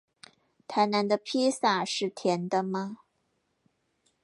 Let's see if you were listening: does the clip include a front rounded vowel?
no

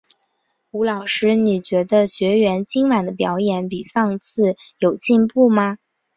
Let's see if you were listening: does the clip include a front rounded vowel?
no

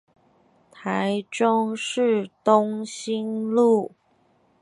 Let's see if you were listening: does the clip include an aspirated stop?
yes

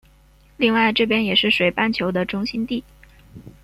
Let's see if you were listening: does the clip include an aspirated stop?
yes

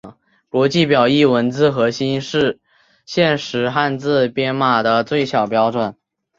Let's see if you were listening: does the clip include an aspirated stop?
no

